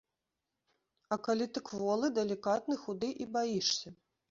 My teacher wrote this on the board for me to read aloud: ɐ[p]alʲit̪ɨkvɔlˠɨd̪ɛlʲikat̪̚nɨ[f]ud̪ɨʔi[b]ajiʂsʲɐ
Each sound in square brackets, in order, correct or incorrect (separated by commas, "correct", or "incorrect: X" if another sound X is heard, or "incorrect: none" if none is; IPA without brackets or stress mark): incorrect: k, incorrect: x, correct